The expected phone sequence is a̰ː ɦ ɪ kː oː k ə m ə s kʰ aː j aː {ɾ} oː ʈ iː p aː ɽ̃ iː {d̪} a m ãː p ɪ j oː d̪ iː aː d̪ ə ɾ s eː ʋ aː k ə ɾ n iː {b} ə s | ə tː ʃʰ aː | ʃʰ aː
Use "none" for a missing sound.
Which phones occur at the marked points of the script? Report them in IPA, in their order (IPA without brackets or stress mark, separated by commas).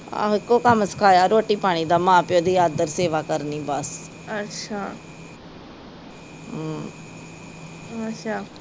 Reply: ɾ, d̪, b